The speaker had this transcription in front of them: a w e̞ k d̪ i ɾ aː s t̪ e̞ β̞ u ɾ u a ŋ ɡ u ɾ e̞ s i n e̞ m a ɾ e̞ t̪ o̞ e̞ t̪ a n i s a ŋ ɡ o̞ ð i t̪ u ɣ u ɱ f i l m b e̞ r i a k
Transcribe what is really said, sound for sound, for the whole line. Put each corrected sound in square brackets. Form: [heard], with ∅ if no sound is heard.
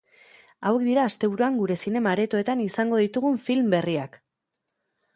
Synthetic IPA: a w e̞ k d̪ i ɾ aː s t̪ e̞ β̞ u ɾ u a ŋ ɡ u ɾ e̞ s i n e̞ m a ɾ e̞ t̪ o̞ e̞ t̪ a n i s a ŋ ɡ o̞ ð i t̪ u ɣ u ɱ f i l m b e̞ r i a k